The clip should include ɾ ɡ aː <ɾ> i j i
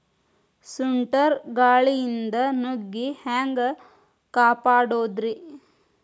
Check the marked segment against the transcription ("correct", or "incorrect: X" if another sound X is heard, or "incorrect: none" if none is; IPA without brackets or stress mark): incorrect: ɭ